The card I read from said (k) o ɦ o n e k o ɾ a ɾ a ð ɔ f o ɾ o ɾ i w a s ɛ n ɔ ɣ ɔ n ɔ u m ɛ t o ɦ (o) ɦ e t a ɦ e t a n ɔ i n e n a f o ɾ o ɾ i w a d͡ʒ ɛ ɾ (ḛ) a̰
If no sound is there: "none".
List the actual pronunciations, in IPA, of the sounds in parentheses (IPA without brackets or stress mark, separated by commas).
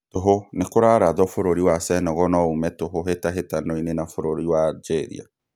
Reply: t, o, ḭ